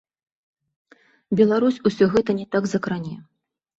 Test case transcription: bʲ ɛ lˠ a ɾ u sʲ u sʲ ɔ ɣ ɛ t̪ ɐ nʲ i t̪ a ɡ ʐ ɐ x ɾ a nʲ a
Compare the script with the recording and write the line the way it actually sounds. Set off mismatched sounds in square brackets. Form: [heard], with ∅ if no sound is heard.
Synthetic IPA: bʲ ɛ lˠ a ɾ u sʲ u sʲ ɔ ɣ ɛ t̪ ɐ nʲ [ɛ] t̪ a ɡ [z] ɐ [k] ɾ a nʲ [ɛ]